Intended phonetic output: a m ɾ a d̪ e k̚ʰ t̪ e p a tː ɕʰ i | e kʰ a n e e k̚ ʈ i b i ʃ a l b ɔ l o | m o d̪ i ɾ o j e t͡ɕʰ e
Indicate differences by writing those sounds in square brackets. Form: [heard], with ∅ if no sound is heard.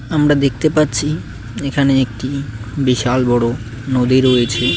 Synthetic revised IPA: a m ɾ a d̪ e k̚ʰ t̪ e p a tː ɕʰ i | e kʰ a n e e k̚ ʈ i b i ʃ a l b ɔ [ɽ] o | [n] o d̪ i ɾ o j e t͡ɕʰ e

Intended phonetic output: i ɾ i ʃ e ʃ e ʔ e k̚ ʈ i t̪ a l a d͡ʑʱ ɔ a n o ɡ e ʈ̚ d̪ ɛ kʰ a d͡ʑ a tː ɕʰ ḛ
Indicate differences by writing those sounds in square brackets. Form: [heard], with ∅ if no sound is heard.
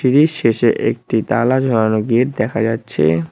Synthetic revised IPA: i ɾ i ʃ e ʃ e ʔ e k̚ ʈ i t̪ a l a d͡ʑʱ ɔ a n o ɡ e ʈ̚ d̪ ɛ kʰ a d͡ʑ a tː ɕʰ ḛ

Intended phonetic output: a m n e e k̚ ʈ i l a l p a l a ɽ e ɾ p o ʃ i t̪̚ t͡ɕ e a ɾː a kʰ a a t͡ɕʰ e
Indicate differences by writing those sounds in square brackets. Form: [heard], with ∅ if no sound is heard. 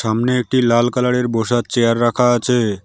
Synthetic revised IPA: a m n e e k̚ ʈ i l a l [k] a l a ɽ e ɾ [b] o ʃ [a] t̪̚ t͡ɕ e a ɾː a kʰ a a t͡ɕʰ e

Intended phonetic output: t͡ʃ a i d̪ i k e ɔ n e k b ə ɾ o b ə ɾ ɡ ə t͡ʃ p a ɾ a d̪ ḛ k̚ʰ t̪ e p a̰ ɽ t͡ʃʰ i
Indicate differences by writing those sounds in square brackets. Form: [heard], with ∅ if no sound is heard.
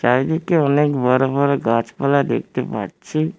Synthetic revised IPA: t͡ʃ a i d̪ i k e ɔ n e k b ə ɾ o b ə ɾ ɡ [a] t͡ʃ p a [l] a d̪ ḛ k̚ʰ t̪ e p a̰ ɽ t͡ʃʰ i

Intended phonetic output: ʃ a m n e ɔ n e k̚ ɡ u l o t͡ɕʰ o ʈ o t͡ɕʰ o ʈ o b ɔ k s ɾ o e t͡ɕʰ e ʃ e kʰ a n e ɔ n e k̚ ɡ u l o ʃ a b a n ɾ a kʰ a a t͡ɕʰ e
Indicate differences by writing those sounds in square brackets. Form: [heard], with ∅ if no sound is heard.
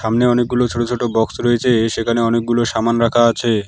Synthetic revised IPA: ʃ a m n e ɔ n e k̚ ɡ u l o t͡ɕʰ o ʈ o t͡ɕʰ o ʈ o b ɔ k s ɾ o e t͡ɕʰ e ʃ e kʰ a n e ɔ n e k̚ ɡ u l o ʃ a [m] a n ɾ a kʰ a a t͡ɕʰ e

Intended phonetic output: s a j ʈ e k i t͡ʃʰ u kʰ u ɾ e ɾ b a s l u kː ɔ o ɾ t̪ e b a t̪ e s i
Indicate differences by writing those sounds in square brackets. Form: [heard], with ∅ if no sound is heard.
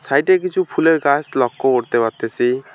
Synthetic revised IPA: s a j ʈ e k i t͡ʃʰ u [pʰ] u [l] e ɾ [ɡ] a s l [ɔ] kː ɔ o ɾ t̪ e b a t̪ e s i

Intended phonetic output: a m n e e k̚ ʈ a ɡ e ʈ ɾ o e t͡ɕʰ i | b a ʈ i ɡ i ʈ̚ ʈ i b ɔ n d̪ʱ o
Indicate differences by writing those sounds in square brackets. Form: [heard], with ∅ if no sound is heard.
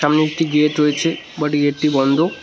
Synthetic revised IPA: a m n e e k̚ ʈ [i] ɡ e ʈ ɾ o e t͡ɕʰ [e] | b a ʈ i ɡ [e] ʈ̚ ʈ i b ɔ n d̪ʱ o

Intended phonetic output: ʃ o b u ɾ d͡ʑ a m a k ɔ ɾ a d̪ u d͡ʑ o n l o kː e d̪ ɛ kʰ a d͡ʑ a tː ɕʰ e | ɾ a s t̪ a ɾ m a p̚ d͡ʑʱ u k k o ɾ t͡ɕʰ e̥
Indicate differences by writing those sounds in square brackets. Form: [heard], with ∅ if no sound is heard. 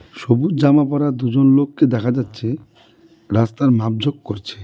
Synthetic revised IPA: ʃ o b u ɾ d͡ʑ a m a [p] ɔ ɾ a d̪ u d͡ʑ o n l o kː e d̪ ɛ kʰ a d͡ʑ a tː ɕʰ e | ɾ a s t̪ a ɾ m a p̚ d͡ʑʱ [o] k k o ɾ t͡ɕʰ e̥

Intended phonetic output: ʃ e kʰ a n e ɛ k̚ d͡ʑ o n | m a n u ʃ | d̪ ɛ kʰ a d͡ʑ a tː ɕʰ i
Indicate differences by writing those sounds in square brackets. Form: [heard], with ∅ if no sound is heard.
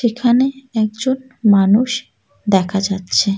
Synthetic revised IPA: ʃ e kʰ a n e ɛ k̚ d͡ʑ o n | m a n u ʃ | d̪ ɛ kʰ a d͡ʑ a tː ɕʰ [e]

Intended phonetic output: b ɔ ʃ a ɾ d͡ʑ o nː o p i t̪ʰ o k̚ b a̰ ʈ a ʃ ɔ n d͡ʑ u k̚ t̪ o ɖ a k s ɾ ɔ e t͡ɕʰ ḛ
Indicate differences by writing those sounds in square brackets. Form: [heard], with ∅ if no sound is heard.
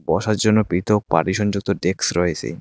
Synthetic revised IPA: b ɔ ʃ a ɾ d͡ʑ o nː o p i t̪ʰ o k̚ [p] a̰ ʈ [i] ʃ ɔ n d͡ʑ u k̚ t̪ o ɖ [e] k s ɾ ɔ e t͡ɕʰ ḛ

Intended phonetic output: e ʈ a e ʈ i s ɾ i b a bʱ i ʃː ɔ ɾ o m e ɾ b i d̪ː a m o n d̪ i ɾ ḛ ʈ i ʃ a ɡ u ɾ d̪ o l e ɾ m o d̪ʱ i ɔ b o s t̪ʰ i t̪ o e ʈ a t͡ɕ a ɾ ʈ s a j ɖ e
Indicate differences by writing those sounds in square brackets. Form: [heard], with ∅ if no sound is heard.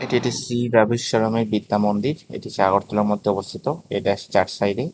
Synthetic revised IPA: e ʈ [i] e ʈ i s ɾ i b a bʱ i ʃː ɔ ɾ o m e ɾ b i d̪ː a m o n d̪ i ɾ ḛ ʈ i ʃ a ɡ [o] ɾ [t̪] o l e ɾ m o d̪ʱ [e] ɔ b o s t̪ʰ i t̪ o e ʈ a t͡ɕ a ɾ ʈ s a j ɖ e

